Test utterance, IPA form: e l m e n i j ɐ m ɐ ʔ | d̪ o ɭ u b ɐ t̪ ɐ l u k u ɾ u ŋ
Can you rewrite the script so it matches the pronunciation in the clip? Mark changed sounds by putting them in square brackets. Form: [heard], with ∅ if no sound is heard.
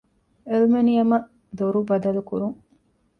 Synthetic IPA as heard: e l m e n i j ɐ m ɐ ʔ | d̪ o [ɾ] u b ɐ [d̪] ɐ l u k u ɾ u ŋ